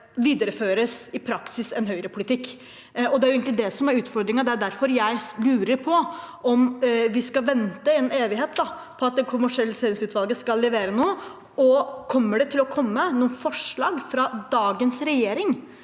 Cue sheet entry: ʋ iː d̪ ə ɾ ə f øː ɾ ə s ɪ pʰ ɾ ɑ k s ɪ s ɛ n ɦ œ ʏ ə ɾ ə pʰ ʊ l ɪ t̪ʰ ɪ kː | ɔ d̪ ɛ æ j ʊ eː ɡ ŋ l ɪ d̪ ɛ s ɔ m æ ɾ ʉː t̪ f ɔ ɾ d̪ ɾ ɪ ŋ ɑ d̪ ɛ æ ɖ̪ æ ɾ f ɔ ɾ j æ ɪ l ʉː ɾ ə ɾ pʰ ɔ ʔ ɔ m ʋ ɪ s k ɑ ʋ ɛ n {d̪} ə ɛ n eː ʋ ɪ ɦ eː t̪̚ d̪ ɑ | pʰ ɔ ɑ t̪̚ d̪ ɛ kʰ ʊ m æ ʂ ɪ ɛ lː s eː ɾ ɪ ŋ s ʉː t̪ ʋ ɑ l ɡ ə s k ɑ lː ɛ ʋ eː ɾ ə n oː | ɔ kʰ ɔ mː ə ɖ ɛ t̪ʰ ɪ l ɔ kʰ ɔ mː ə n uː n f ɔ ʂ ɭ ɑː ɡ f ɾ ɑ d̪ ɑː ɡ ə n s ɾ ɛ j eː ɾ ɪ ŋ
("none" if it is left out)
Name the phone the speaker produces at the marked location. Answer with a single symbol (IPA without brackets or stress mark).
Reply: t̪